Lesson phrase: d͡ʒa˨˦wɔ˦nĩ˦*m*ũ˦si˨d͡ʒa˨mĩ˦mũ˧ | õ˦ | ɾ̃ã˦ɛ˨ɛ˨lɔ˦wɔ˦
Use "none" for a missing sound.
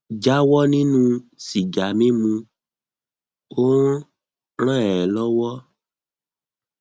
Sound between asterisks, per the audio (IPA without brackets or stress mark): n